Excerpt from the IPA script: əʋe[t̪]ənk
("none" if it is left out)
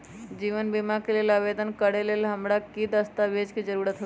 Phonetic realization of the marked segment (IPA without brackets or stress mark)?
d̪